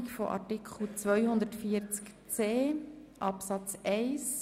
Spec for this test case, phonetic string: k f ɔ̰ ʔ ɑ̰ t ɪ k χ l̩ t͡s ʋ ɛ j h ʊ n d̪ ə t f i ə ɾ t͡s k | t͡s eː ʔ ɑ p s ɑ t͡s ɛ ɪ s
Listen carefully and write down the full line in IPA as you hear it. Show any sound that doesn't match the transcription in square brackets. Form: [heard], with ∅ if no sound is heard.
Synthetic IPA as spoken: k f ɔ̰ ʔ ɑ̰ t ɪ k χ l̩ t͡s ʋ [œ] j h ʊ n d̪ ə t f i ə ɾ t͡s k | t͡s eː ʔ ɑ p s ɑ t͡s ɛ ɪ s